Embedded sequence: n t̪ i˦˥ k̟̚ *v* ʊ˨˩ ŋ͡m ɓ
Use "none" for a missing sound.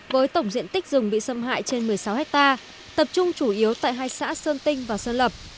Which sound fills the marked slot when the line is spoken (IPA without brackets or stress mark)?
z